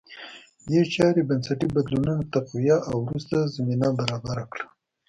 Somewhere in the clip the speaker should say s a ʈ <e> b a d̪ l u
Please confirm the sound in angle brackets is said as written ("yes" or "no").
no